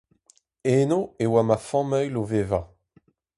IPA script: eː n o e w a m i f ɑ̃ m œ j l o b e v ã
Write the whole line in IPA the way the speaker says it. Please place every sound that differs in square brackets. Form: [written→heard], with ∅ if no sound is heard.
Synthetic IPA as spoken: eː n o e w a m [i→a] f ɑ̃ m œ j l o [b→v] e v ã